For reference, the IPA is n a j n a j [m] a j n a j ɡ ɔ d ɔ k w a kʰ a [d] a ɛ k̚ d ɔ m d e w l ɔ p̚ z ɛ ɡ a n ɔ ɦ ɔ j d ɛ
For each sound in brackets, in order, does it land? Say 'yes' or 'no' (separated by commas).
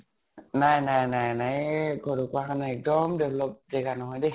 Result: no, no